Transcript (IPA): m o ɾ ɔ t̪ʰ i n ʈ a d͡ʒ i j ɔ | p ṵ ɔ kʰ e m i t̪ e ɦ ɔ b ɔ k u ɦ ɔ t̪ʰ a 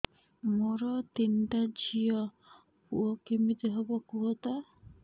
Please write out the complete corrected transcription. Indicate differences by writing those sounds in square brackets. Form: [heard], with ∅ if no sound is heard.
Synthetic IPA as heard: m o ɾ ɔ [t̪] i n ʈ a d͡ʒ i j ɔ | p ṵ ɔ [k] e m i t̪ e ɦ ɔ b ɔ k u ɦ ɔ [t̪] a